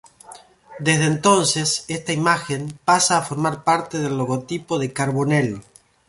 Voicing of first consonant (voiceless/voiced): voiced